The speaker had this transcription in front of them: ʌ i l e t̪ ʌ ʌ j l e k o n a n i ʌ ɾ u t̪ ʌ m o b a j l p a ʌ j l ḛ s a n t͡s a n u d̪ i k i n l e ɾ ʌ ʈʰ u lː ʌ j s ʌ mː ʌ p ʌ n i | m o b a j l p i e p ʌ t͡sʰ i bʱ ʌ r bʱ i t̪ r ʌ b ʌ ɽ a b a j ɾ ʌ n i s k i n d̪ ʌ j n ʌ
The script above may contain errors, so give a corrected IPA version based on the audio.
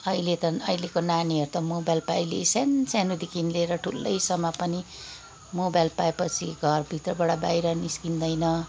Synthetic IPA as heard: ʌ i l e t̪ ʌ ʌ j l e k o n a n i ʌ ɾ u t̪ ʌ m o b a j l p a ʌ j l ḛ s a n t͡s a n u d̪ i k i n l e ɾ ʌ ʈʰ u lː ʌ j s ʌ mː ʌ p ʌ n i | m o b a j l p a e p ʌ t͡sʰ i ɡʱ ʌ r bʱ i t̪ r ʌ b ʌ ɽ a b a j ɾ ʌ n i s k i n d̪ ʌ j n ʌ